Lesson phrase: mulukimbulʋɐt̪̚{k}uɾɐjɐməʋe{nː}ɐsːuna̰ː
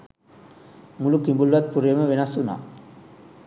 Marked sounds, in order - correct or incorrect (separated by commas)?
incorrect, incorrect